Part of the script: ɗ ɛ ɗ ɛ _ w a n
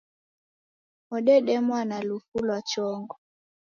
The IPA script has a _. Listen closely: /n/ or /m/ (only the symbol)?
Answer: m